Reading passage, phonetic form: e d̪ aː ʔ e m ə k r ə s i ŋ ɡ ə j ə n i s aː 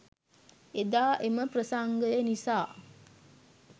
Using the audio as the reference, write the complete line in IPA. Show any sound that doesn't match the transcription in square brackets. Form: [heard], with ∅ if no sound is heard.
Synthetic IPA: e d̪ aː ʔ e m ə [p] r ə s [a] ŋ ɡ ə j ə n i s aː